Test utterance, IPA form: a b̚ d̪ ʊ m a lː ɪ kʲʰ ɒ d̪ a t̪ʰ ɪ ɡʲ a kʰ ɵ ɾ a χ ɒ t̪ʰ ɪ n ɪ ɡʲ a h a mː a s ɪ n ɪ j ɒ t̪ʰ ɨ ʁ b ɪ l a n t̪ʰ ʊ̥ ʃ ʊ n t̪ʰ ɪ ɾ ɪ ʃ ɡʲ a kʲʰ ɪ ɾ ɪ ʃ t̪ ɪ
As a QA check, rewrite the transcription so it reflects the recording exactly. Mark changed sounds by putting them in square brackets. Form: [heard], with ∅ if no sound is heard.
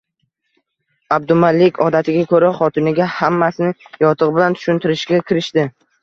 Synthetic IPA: a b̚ d̪ ʊ m a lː ɪ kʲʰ ɒ d̪ a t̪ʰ ɪ ɡʲ a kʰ ɵ ɾ a χ ɒ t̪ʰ ɪ n ɪ ɡʲ a h a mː a s ɪ n ɪ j ɒ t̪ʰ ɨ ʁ b ɪ l a n t̪ʰ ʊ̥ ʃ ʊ n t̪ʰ ɪ ɾ ɪ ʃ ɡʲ a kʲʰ ɪ ɾ ɪ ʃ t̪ ɪ